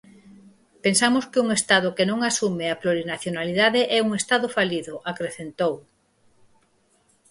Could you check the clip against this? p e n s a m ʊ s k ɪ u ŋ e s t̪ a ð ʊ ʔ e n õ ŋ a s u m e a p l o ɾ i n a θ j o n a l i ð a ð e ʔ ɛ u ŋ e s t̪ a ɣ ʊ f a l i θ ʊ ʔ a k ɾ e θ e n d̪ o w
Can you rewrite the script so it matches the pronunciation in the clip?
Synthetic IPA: p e n s a m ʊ s k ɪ u ŋ e s t̪ a ð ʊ k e n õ ŋ a s u m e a p l o ɾ i n a θ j o n a l i ð a ð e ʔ ɛ u ŋ e s t̪ a ð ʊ f a l i ð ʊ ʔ a k ɾ e θ e n t̪ o w